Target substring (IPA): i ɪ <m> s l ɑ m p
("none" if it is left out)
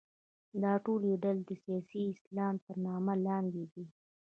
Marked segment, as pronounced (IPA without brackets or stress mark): none